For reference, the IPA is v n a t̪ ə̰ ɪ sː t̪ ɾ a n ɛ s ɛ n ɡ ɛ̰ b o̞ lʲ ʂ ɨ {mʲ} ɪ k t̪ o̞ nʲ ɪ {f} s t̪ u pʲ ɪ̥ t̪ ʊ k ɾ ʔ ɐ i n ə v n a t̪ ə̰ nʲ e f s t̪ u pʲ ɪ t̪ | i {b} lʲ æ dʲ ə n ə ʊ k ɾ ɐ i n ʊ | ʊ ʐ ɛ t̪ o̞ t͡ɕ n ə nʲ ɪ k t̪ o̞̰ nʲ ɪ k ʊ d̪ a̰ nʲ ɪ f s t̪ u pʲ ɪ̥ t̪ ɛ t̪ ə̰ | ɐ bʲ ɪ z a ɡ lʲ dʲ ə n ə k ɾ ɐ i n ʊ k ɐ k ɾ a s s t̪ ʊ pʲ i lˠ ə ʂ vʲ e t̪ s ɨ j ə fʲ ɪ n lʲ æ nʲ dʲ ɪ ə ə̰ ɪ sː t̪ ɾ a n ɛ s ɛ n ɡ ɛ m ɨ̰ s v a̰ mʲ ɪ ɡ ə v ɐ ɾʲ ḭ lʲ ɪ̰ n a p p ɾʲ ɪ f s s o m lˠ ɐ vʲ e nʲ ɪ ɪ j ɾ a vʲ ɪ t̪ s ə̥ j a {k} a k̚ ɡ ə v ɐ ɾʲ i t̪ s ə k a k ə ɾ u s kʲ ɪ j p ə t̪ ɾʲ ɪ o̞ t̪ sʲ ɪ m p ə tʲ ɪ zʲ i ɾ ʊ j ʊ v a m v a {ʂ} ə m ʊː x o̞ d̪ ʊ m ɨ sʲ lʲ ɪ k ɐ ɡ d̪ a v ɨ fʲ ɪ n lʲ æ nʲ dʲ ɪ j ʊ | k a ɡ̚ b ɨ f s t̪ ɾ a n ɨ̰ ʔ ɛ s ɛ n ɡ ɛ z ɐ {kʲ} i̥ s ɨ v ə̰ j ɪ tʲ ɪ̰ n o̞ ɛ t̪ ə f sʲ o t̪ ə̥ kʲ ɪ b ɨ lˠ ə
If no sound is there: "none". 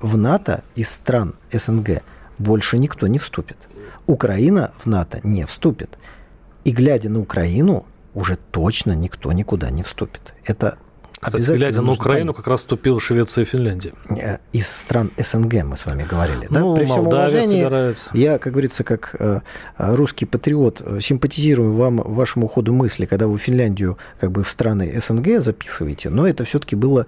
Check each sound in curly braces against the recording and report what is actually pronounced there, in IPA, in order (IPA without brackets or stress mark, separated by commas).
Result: nʲ, f, ɡ, k, ʂ, pʲ